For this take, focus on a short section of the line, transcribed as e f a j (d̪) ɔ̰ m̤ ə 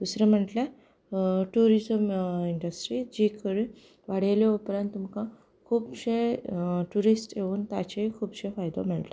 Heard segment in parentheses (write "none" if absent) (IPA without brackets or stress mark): d̪